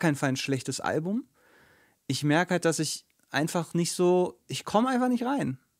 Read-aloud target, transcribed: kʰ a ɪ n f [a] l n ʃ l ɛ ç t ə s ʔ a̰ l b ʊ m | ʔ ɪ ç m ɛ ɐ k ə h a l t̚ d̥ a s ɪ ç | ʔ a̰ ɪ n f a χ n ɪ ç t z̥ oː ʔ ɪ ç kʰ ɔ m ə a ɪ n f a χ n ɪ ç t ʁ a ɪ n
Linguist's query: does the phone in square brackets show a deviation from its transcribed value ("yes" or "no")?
no